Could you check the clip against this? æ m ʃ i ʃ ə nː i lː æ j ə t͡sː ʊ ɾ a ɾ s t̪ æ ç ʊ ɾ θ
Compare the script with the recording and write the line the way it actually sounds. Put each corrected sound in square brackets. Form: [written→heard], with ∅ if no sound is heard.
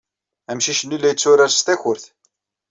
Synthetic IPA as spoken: æ m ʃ i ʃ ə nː i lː æ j ə t͡sː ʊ ɾ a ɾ s t̪ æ ç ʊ ɾ θ